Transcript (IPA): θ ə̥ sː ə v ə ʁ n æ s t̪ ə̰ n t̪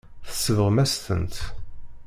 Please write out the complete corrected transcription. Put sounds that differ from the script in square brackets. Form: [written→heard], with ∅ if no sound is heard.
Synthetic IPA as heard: θ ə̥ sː ə v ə ʁ [n→m] æ s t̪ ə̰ n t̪